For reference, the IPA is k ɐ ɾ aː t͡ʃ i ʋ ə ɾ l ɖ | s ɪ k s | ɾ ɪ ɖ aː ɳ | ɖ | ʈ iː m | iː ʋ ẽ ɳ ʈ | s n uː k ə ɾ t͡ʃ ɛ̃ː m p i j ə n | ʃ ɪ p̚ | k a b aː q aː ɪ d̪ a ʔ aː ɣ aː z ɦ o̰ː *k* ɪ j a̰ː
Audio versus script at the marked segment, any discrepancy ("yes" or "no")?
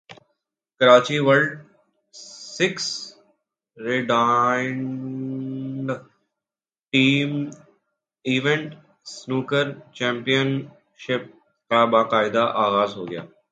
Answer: yes